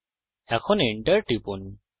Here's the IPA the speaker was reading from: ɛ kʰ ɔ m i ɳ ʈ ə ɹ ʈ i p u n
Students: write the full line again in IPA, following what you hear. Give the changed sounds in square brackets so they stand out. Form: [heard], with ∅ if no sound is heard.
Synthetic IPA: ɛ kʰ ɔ [n] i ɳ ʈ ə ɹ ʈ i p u n

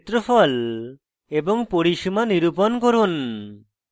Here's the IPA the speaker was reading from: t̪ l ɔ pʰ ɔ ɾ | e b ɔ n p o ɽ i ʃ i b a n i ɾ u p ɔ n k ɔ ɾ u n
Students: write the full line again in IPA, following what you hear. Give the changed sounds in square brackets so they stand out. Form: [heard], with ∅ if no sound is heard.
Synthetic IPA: t̪ [ɾ] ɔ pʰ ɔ [l] | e b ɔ [ŋ] p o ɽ i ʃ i [m] a n i ɾ u p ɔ n k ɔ ɾ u n

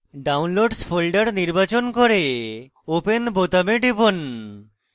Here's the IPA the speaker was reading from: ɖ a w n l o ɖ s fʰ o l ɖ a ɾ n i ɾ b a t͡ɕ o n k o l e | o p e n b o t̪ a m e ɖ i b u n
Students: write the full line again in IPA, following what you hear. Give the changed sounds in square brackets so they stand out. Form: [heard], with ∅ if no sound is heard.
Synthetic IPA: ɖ a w n l o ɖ s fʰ o l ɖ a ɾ n i ɾ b a t͡ɕ o n k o [ɾ] e | o p e n b o t̪ a m e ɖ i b [o] n

